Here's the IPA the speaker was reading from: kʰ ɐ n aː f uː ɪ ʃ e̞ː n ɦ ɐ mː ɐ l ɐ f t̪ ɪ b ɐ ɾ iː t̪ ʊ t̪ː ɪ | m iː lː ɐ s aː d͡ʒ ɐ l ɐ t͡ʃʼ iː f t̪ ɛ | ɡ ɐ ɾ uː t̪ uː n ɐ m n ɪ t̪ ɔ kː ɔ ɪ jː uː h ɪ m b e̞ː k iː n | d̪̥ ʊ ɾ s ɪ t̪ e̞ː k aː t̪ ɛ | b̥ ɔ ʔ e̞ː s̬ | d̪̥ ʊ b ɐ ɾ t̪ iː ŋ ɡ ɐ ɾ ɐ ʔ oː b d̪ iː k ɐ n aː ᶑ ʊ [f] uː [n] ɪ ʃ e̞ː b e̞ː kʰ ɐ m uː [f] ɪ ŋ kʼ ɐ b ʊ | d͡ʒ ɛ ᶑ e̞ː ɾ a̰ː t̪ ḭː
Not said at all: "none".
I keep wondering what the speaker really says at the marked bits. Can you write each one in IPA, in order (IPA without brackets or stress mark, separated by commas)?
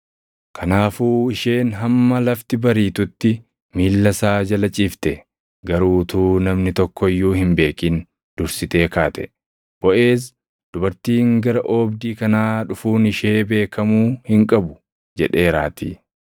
f, n, h